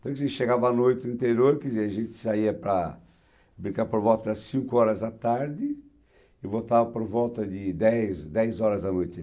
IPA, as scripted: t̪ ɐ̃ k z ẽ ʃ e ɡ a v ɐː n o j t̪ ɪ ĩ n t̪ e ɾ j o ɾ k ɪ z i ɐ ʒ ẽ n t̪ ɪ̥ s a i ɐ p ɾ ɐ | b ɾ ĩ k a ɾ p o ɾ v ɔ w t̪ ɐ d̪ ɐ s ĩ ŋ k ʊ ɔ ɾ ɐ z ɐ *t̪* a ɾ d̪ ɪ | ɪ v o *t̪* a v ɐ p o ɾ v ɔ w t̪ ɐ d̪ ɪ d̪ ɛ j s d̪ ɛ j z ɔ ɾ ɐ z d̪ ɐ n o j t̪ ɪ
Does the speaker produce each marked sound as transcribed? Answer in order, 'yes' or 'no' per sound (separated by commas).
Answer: yes, yes